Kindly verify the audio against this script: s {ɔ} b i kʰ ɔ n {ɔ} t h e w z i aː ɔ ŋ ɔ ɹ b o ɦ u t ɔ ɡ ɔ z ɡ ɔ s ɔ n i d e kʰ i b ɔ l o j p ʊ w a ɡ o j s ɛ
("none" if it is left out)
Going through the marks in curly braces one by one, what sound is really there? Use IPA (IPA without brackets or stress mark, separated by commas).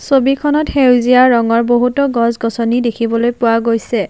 o, ɔ